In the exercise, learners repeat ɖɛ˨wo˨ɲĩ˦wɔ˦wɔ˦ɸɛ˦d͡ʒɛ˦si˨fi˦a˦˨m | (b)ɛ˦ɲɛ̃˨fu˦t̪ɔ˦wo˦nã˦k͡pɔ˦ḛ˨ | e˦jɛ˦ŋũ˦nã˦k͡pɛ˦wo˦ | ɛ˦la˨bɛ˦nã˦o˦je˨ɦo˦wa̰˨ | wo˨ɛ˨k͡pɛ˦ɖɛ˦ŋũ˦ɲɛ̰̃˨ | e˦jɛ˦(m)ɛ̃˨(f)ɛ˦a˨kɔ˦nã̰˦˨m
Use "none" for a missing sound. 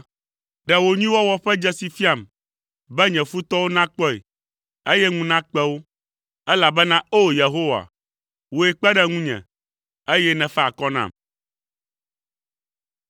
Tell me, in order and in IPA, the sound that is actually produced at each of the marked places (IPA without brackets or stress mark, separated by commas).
b, n, f